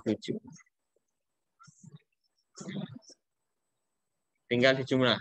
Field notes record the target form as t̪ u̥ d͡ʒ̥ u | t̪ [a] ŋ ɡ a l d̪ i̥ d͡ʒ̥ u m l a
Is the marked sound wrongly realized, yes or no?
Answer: yes